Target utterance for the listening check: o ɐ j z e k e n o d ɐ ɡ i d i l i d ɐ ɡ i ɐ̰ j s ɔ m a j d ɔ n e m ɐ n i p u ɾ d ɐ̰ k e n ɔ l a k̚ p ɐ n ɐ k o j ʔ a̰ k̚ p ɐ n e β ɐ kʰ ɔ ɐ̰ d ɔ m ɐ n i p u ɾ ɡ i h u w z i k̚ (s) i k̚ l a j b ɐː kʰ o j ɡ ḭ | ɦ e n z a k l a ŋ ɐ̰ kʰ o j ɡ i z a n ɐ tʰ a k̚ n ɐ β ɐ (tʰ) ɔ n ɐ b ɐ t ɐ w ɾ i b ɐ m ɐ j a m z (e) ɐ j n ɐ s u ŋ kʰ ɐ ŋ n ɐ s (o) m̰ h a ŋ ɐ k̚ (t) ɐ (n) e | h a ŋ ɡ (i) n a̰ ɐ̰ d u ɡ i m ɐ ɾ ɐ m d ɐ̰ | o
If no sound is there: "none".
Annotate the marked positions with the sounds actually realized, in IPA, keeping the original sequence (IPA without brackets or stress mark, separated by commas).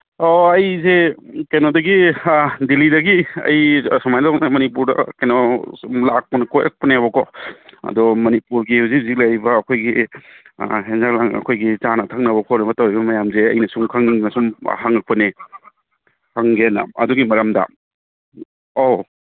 z, kʰ, e, u, p, n, e